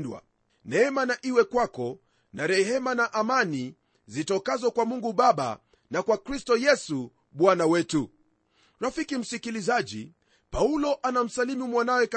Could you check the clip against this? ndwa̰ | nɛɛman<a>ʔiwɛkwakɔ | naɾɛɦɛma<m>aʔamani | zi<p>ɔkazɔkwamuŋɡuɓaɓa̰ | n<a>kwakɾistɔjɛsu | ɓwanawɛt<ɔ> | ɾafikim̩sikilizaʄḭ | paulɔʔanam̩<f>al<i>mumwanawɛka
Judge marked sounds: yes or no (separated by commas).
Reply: yes, no, no, yes, no, no, yes